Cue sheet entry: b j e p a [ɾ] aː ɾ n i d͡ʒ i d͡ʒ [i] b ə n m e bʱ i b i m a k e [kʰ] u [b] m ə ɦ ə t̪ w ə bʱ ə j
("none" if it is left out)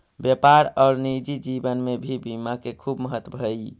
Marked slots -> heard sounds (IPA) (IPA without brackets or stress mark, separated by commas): ɾ, i, kʰ, b